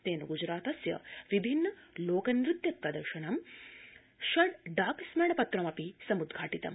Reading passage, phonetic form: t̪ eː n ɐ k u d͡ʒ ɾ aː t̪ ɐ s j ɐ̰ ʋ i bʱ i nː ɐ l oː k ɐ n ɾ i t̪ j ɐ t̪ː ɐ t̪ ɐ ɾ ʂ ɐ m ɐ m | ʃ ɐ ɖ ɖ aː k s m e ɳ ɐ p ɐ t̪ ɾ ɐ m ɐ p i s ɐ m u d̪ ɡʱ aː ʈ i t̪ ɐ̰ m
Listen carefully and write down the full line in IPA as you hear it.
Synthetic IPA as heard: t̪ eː n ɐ ɡ u d͡ʒ ɾ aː t̪ ɐ s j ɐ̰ ʋ i bʱ i nː ɐ l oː k ɐ n ɾ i t̪ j ɐ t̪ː ɐ d̪ ɐ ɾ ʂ ɐ ɳ ɐ m | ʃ ɐ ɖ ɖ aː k s m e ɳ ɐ p ɐ t̪ ɾ ɐ m ɐ p i s ɐ m u d̪ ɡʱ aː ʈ i t̪ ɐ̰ m